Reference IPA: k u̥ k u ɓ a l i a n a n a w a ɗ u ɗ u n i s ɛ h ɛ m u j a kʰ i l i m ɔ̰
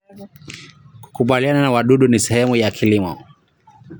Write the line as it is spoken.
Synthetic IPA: k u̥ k u ɓ a l i a n a n a w a ɗ u ɗ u n i s ɛ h ɛ m u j a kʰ i l i m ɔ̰